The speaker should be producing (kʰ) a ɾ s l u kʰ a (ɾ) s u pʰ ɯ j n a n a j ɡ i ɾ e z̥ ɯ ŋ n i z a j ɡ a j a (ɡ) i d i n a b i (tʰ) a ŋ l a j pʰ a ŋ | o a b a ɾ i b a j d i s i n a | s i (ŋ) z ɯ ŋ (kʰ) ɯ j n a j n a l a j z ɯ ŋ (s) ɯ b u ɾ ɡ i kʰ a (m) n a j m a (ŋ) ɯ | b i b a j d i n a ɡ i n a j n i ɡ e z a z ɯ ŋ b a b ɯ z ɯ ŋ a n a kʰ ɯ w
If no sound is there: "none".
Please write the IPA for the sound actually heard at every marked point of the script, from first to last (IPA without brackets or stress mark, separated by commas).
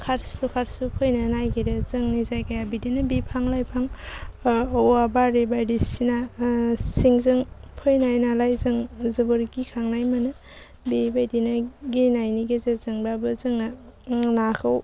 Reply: kʰ, ɾ, b, pʰ, ŋ, pʰ, z, ŋ, n